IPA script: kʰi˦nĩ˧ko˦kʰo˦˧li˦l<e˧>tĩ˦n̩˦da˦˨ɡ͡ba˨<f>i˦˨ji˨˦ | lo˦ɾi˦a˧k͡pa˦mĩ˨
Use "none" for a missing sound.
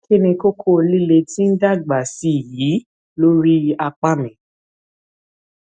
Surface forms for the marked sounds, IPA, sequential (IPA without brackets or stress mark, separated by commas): e˧, s